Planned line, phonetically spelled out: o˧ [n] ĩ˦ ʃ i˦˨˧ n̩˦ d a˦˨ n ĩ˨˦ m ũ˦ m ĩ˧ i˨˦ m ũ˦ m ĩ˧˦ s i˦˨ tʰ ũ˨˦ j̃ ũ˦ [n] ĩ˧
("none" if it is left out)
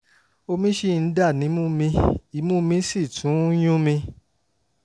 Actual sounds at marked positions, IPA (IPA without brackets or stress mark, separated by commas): m, m